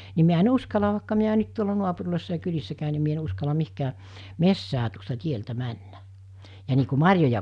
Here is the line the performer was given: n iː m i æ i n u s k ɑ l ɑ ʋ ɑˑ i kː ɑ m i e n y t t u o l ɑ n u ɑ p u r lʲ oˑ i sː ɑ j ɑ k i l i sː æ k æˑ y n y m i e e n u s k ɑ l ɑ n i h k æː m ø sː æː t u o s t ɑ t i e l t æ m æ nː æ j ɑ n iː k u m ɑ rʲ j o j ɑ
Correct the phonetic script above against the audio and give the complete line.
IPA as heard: n i m i æ e n u s k ɑ l ɑ ʋ ɑˑ i kː ɑ m i æ n y t t u o l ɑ n u ɑ p u r lʲ oˑ i sː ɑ j ɑ k y l i sː æ k æˑ y n i m i e e n u s k ɑ l ɑ m i h k æː m e sː æː t u o s t ɑ t i e l t æ m æ nː æ j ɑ n iː k u m ɑ rʲ j o j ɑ